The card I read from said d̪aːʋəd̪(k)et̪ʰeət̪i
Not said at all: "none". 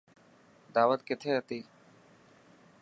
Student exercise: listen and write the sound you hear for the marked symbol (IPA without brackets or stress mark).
k